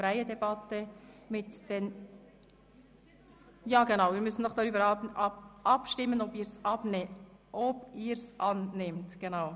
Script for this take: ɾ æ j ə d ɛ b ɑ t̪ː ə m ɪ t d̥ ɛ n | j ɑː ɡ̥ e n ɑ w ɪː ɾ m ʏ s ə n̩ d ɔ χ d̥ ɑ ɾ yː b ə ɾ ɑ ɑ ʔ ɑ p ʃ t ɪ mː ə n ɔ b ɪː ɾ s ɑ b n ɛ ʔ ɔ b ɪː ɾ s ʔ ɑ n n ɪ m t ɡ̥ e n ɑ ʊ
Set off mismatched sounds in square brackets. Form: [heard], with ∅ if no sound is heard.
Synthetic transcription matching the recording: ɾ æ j ə d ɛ b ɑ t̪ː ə m ɪ t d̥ ɛ n | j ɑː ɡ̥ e n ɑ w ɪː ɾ m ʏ s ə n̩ d ɔ χ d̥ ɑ ɾ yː b ə ɾ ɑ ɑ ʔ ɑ p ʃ t ɪ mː ə n ɔ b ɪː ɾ s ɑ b n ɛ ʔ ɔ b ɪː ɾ s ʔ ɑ n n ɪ m t ɡ̥ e n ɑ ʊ